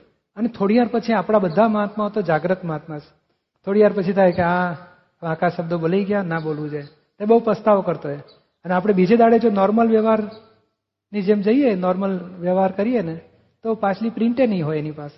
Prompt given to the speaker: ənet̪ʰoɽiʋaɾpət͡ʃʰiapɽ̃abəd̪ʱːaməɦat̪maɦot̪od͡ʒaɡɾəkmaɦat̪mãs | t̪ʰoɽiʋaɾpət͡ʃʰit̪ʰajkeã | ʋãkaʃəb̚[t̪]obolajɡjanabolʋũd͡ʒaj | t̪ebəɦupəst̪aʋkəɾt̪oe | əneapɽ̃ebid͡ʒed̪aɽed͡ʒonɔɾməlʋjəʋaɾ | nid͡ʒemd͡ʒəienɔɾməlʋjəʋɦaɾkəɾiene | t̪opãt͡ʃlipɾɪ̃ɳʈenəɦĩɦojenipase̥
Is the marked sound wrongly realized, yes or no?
yes